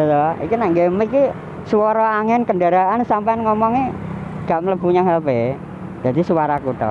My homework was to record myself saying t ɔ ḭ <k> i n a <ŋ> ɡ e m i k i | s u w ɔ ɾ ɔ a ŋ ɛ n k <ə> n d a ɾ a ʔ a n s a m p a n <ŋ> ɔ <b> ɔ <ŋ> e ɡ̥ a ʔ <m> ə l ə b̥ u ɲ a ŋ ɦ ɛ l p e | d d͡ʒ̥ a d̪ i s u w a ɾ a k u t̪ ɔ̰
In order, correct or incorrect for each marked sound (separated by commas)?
correct, correct, correct, correct, incorrect, correct, correct